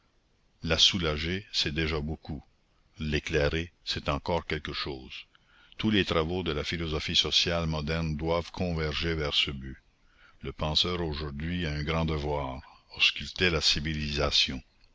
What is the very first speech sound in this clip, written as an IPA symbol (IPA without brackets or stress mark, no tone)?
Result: l